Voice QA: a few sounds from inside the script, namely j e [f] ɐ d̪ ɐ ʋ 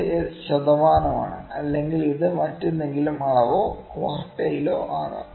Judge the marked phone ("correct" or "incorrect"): incorrect